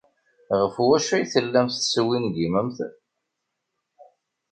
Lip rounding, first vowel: unrounded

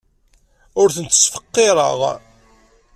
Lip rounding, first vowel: rounded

